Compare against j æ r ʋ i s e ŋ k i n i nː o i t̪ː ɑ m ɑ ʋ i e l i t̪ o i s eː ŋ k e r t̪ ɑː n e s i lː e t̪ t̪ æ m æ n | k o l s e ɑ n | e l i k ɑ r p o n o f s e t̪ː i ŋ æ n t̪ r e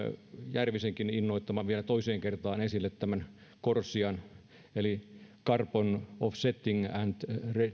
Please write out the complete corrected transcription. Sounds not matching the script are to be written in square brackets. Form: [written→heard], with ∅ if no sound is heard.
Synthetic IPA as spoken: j æ r ʋ i s e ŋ k i n i nː o i t̪ː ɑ m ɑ ʋ i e l [i→æ] t̪ o i s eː ŋ k e r t̪ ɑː n e s i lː e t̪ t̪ æ m æ n | k o [l→r] s [e→i] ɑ n | e l i k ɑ r p o n o f s e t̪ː i ŋ æ n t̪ r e